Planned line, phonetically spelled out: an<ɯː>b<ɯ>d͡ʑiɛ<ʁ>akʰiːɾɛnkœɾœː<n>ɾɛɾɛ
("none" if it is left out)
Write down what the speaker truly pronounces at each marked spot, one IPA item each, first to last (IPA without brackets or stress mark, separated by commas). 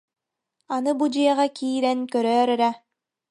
ɯ, u, ʁ, none